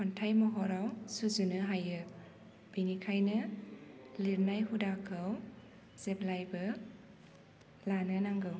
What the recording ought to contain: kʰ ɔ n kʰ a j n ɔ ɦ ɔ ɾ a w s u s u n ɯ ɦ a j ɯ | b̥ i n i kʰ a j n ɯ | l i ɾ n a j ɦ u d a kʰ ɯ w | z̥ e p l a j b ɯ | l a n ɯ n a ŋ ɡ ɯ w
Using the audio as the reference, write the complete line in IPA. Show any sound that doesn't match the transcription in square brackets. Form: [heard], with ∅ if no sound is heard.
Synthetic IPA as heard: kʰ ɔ n [tʰ] a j [m] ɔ ɦ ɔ ɾ a w s u [z] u n ɯ ɦ a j ɯ | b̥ i n i kʰ a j n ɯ | l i ɾ n a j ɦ u d a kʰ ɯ w | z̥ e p l a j b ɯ | l a n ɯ n a ŋ ɡ ɯ w